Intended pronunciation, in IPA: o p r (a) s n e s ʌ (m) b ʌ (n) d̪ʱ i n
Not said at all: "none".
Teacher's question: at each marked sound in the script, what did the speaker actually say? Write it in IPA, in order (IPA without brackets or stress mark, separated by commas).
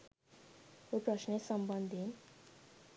ʌ, m, n